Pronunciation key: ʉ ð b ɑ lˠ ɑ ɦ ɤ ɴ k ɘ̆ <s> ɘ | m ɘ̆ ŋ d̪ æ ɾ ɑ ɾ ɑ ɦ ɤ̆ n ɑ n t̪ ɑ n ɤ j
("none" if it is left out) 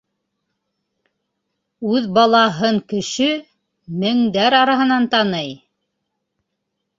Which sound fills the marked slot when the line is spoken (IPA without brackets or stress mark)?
ʃ